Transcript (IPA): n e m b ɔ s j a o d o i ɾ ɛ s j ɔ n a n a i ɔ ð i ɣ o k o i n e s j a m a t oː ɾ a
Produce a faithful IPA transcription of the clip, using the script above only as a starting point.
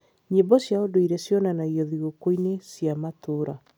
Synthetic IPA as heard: ɲ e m b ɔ s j a o d o i ɾ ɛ s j ɔ n a n a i ɔ ð i ɣ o k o i n e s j a m a t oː ɾ a